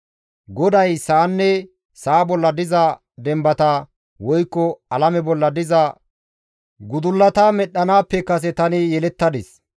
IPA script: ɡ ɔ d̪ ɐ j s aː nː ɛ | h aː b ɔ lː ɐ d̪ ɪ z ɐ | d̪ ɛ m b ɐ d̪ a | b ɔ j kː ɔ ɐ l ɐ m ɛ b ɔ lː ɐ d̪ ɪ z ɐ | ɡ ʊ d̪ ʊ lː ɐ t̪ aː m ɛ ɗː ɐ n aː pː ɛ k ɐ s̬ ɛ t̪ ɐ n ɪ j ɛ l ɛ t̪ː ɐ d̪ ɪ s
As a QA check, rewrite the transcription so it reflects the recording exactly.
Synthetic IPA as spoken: ɡ ɔ d̪ ɐ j s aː nː ɛ | s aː b ɔ lː ɐ d̪ ɪ z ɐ | d̪ ɛ m b ɐ t̪ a | w ɔ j kː ɔ ɐ l ɐ m ɛ b ɔ lː ɐ d̪ ɪ z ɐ | ɡ ʊ d̪ ʊ lː ɐ t̪ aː m ɛ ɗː ɐ n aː pː ɛ k ɐ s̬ ɛ t̪ ɐ n ɪ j ɛ l ɛ t̪ː ɐ d̪ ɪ s

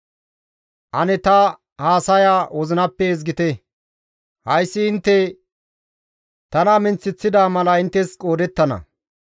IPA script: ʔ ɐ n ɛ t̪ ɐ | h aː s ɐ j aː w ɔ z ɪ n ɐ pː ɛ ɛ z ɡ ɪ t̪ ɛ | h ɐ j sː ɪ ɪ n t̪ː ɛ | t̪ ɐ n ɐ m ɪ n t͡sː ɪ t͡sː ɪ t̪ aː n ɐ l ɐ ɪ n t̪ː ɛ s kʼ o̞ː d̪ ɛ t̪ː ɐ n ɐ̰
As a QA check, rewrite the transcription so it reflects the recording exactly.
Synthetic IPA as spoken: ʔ ɐ n ɛ t̪ ɐ | h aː s ɐ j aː w ɔ z ɪ n ɐ pː ɛ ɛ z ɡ ɪ t̪ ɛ | h ɐ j sː ɪ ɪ n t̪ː ɛ | t̪ ɐ n ɐ m ɪ n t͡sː ɪ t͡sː ɪ d̪ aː m ɐ l ɐ ɪ n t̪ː ɛ s kʼ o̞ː d̪ ɛ t̪ː ɐ n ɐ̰

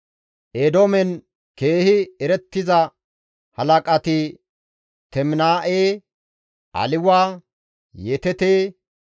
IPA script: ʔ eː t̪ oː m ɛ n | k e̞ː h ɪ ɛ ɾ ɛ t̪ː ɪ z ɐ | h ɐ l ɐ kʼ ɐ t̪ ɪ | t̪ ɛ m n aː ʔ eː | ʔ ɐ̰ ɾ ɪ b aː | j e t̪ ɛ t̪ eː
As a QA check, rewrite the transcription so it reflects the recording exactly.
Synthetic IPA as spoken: ʔ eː d̪ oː m ɛ n | k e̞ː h ɪ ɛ ɾ ɛ t̪ː ɪ z ɐ | h ɐ l ɐ kʼ ɐ t̪ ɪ | t̪ ɛ m n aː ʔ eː | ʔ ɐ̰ l ɪ w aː | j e t̪ ɛ t̪ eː

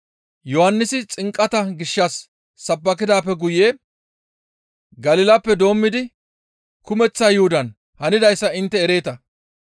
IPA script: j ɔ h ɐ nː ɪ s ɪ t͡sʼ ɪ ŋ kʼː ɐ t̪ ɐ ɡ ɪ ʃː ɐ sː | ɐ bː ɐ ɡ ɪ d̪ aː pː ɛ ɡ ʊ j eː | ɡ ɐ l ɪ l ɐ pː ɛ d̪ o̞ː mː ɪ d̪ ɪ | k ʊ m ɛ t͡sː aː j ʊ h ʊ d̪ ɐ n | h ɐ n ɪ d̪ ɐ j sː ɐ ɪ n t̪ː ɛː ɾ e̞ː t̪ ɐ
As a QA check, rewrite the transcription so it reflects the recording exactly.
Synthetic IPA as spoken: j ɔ h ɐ nː ɪ s ɪ t͡sʼ ɪ ŋ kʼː ɐ t̪ ɐ ɡ ɪ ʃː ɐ sː | ɐ bː ɐ k ɪ d̪ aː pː ɛ ɡ ʊ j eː | ɡ ɐ l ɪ l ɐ pː ɛ d̪ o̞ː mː ɪ d̪ ɪ | k ʊ m ɛ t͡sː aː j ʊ h ʊ d̪ ɐ n | h ɐ n ɪ d̪ ɐ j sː ɐ ɪ n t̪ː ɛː ɾ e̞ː t̪ ɐ

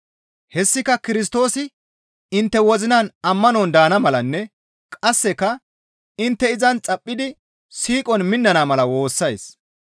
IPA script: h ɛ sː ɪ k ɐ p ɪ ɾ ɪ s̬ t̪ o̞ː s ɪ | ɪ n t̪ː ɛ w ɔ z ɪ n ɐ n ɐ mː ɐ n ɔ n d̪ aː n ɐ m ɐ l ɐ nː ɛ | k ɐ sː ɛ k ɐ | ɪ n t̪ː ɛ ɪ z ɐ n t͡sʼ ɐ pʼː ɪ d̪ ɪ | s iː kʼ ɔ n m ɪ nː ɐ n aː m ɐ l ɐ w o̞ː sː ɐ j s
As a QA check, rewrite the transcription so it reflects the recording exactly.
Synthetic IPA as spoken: h ɛ sː ɪ k ɐ k ɪ ɾ ɪ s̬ t̪ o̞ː s ɪ | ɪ n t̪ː ɛ w ɔ z ɪ n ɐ n ɐ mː ɐ n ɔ n d̪ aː n ɐ m ɐ l ɐ nː ɛ | kʼ ɐ sː ɛ k ɐ | ɪ n t̪ː ɛ ɪ z ɐ n t͡sʼ ɐ pʼː ɪ d̪ ɪ | s iː kʼ ɔ n m ɪ nː ɐ n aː m ɐ l ɐ w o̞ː sː ɐ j s

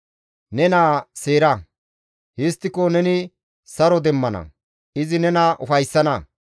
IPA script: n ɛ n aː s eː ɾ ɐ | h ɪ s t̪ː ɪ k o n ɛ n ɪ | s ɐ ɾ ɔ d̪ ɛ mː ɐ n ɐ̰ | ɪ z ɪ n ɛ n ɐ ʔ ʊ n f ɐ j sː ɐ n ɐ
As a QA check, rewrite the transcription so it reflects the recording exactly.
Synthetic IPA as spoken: n ɛ n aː s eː ɾ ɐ | h ɪ s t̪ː ɪ k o n ɛ n ɪ | s ɐ ɾ ɔ d̪ ɛ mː ɐ n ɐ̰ | ɪ z ɪ n ɛ n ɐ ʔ ʊ f ɐ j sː ɐ n ɐ

